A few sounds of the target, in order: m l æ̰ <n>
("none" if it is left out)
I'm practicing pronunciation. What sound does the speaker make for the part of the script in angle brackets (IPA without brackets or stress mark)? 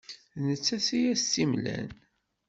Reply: n